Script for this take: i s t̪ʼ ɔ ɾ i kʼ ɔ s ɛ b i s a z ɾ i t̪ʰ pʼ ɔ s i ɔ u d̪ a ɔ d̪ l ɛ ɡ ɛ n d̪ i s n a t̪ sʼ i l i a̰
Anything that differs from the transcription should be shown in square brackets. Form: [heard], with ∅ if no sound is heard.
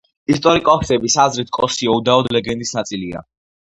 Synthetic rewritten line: i s t̪ʼ ɔ ɾ i kʼ ɔ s ɛ b i s a z ɾ i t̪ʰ [kʼ] ɔ s i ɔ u d̪ a ɔ d̪ l ɛ ɡ ɛ n d̪ i s n a t̪ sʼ i l i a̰